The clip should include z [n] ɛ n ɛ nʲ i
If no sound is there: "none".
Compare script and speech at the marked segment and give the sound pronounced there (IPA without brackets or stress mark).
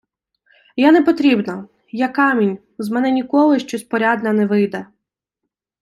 m